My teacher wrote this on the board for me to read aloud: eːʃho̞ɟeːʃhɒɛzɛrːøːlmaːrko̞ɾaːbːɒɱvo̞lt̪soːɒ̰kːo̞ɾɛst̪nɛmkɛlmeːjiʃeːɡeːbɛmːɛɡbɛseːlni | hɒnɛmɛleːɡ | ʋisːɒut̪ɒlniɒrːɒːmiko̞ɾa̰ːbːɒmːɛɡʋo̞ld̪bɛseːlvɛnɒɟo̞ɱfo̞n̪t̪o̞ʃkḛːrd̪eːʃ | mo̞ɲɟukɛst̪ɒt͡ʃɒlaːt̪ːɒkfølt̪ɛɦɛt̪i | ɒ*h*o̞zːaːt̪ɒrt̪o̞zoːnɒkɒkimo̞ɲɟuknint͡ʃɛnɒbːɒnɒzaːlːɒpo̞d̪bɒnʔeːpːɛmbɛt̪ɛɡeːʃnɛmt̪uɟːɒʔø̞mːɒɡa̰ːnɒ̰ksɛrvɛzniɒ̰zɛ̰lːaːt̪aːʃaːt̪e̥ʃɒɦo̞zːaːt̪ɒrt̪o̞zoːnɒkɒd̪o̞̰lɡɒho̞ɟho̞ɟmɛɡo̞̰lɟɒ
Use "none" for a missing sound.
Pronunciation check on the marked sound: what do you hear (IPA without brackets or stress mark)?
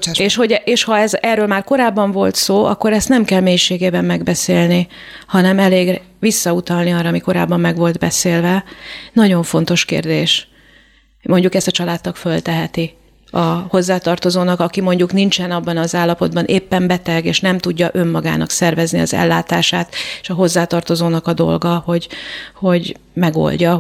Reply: h